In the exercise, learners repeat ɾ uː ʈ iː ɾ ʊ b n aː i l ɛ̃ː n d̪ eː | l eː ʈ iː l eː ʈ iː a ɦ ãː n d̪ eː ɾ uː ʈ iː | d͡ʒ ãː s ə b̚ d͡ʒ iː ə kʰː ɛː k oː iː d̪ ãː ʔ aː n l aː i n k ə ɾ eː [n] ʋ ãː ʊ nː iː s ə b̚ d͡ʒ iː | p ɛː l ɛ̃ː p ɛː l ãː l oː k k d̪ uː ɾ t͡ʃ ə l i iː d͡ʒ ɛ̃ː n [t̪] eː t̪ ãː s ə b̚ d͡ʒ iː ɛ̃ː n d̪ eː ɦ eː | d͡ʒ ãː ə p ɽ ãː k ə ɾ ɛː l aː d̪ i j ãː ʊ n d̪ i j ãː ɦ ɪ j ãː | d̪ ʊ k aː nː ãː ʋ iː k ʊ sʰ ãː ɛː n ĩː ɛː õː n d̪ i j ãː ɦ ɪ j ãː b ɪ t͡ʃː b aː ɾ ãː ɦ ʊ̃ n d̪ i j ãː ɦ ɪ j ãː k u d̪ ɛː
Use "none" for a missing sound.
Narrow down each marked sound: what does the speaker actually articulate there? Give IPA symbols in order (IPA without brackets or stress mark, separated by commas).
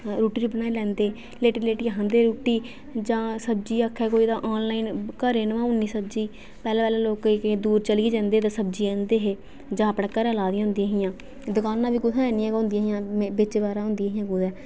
n, d̪